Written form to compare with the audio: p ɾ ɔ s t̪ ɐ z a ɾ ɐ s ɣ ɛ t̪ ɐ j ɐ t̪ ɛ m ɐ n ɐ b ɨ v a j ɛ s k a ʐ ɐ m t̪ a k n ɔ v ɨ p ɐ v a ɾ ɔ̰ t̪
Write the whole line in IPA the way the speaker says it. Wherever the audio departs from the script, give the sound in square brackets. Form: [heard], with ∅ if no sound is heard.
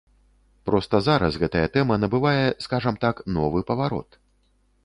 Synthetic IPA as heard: p ɾ ɔ s t̪ ɐ z a ɾ ɐ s ɣ ɛ t̪ ɐ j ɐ t̪ ɛ m ɐ n ɐ b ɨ v a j ɛ s k a ʐ ɐ m t̪ a k n ɔ v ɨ p ɐ v a ɾ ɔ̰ t̪